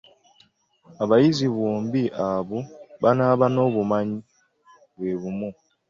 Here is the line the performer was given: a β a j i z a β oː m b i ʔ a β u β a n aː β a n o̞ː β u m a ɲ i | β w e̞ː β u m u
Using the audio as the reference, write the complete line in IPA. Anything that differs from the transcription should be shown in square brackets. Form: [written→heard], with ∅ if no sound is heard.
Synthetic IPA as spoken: a β a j i z [a→i] β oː m b i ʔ a β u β a n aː β a n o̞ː β u m a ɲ i | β w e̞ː β u m u